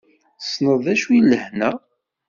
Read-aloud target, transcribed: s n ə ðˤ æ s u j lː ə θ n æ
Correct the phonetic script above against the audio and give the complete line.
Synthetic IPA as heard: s n ə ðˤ æ ʃ u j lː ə h n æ